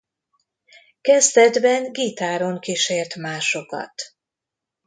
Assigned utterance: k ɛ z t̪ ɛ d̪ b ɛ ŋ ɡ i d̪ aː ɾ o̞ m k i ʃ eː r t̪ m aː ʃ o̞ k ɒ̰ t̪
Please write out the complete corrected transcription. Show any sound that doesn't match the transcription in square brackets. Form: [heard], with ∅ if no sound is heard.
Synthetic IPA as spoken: k ɛ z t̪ ɛ d̪ b ɛ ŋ ɡ i [t̪] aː ɾ o̞ [ŋ] k i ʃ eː r t̪ m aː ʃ o̞ k ɒ̰ t̪